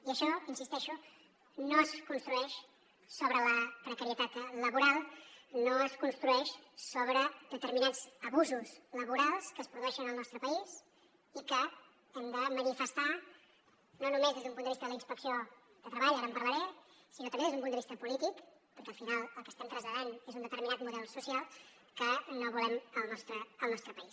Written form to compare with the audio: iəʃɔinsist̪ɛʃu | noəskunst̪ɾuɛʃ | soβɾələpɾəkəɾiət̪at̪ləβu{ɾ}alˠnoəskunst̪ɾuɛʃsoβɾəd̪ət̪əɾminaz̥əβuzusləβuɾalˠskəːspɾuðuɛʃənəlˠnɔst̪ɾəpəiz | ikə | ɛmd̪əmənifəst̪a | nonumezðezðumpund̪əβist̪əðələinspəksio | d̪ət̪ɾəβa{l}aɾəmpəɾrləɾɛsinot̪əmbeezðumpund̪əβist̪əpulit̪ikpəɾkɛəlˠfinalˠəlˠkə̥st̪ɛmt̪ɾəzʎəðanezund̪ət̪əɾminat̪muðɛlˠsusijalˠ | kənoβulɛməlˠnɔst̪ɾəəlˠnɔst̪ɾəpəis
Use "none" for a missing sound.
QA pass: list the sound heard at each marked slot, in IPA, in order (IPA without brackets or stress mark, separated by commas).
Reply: ɾ, ʎ